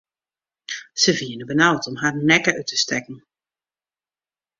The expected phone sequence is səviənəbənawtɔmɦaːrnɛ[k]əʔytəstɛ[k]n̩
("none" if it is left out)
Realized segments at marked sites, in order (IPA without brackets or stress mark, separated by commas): k, k